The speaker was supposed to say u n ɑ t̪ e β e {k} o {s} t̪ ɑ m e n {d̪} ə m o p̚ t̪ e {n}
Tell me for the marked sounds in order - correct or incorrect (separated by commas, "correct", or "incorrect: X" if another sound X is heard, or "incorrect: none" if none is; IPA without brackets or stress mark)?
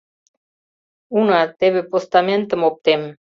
incorrect: p, correct, incorrect: t̪, incorrect: m